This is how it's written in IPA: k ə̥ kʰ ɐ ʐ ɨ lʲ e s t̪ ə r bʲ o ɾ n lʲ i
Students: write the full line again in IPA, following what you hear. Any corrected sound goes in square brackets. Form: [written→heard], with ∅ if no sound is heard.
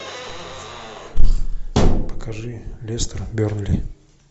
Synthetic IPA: [k→p] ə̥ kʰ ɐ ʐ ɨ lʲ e s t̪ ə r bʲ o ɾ n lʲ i

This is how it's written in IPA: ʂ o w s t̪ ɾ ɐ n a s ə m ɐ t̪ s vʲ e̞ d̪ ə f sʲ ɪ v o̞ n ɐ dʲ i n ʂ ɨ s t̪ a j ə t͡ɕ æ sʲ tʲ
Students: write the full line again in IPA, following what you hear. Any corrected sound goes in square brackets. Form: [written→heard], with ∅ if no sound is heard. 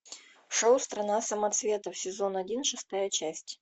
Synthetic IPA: ʂ o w s t̪ ɾ ɐ n a s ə m ɐ t̪ s vʲ e̞ [d̪→t̪] ə f sʲ ɪ [v→z] o̞ n ɐ dʲ i n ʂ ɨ s t̪ a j ə t͡ɕ æ sʲ tʲ

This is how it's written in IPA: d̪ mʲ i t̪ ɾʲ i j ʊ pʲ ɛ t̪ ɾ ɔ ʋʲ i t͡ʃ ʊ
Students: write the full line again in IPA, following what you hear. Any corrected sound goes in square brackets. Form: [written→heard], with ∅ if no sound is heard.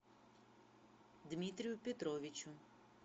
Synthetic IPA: d̪ mʲ i t̪ ɾʲ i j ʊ pʲ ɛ t̪ ɾ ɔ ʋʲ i t͡ʃ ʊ

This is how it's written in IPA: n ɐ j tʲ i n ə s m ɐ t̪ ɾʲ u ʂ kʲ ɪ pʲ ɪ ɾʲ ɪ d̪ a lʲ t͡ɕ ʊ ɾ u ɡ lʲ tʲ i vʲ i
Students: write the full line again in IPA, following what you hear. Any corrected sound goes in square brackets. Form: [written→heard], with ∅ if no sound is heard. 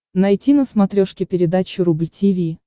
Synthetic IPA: n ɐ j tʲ i n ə s m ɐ t̪ ɾʲ [u→o] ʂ kʲ ɪ pʲ ɪ ɾʲ ɪ d̪ a [lʲ→∅] t͡ɕ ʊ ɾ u [ɡ→b] lʲ tʲ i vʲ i

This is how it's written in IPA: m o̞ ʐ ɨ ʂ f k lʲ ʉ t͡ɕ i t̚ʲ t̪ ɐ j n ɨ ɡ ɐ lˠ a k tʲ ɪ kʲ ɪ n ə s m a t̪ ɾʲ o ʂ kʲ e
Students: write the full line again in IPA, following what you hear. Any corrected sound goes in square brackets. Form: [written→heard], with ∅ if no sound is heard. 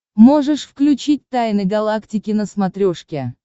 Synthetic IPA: m o̞ ʐ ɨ ʂ f k lʲ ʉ t͡ɕ i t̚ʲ t̪ [ɐ→a] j n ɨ ɡ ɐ lˠ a k tʲ ɪ kʲ ɪ n ə s m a t̪ ɾʲ o ʂ kʲ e

